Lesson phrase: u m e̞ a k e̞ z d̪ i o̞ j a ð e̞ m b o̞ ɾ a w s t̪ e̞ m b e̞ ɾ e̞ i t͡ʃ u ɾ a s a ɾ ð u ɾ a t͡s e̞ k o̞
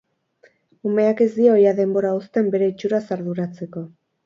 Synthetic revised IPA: u m e̞ a k e̞ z d̪ i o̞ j a ð e̞ m b o̞ ɾ a u s t̪ e̞ m b e̞ ɾ e̞ i t͡ʃ u ɾ a s a ɾ ð u ɾ a t͡s e̞ k o̞